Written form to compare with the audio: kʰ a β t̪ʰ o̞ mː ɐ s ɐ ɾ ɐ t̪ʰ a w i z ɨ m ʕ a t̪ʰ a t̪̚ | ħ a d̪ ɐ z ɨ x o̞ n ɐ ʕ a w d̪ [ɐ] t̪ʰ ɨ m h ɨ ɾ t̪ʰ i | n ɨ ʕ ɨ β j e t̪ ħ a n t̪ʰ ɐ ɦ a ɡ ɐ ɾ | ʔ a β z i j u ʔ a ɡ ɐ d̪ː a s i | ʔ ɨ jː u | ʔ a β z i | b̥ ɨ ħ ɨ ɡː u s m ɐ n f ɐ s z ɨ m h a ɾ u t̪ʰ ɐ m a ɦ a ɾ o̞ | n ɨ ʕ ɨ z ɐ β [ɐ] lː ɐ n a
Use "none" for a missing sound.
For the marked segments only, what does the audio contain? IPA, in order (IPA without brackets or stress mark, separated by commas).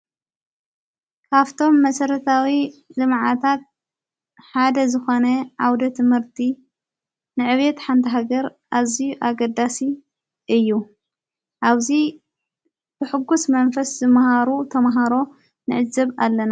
ɐ, a